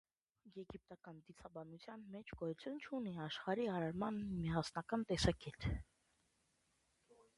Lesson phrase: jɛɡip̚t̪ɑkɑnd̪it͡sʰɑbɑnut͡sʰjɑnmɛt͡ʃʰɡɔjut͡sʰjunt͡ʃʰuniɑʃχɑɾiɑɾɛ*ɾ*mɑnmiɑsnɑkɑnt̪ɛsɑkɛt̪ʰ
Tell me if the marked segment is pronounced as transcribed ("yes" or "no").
yes